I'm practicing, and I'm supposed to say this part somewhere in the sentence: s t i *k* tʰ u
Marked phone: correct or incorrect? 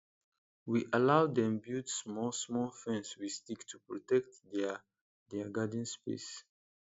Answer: correct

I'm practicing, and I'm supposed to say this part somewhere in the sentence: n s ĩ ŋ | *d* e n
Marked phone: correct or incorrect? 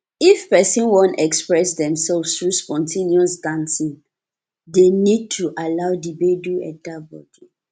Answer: correct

